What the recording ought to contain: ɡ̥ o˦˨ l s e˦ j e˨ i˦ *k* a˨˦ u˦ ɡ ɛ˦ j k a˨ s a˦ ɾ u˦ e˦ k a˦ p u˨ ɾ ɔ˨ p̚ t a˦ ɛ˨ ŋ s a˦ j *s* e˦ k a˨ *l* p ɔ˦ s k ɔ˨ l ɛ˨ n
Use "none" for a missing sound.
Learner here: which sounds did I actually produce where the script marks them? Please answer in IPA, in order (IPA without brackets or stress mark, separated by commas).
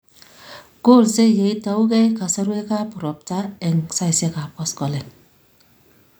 t, s, none